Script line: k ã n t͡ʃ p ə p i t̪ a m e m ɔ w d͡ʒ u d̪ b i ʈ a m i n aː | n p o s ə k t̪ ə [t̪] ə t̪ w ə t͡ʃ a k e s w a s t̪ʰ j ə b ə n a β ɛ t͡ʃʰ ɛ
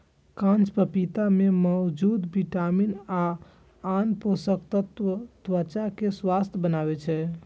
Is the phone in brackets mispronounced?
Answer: no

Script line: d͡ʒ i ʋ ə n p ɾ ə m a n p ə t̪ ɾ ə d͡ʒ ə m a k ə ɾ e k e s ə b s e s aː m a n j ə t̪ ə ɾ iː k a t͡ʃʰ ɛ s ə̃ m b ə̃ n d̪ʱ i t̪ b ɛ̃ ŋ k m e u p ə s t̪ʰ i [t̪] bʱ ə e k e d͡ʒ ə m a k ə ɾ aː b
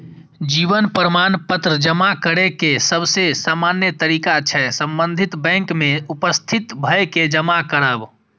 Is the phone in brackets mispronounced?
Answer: no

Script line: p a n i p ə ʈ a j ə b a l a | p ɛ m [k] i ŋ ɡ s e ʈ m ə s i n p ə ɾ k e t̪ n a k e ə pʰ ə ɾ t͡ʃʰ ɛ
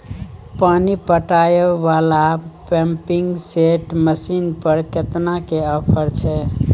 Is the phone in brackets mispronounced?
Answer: yes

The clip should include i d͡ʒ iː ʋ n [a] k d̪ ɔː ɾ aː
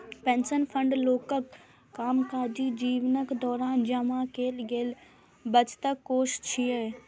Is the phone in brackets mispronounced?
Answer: yes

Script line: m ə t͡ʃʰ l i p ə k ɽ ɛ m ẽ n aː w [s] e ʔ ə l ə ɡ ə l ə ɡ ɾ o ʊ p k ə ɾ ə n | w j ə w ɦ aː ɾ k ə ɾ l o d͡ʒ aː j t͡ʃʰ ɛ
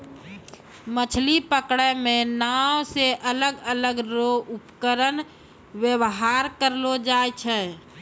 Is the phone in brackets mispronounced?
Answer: no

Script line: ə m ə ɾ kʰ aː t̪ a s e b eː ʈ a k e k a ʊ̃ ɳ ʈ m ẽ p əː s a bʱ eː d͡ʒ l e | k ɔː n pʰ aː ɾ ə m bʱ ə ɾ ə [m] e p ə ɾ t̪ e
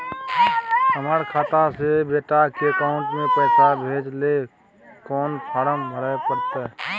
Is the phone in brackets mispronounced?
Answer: yes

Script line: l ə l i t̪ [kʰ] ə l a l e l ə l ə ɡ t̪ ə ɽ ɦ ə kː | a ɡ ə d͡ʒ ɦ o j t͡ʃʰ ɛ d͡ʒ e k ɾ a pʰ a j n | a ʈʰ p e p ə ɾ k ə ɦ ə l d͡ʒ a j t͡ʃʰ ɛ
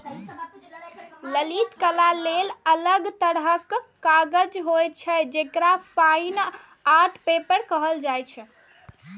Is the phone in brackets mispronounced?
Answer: yes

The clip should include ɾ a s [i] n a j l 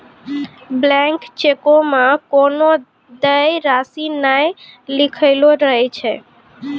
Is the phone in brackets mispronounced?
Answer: no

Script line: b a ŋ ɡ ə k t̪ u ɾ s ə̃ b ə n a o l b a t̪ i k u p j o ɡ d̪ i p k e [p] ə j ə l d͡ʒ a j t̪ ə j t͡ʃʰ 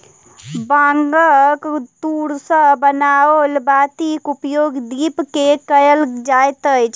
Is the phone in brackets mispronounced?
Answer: yes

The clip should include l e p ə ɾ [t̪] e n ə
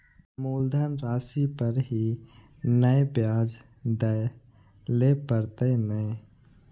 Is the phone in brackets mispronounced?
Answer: no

